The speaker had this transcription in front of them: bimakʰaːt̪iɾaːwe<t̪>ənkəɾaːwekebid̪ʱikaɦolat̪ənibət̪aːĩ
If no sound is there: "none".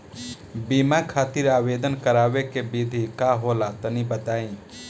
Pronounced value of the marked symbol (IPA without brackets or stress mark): d̪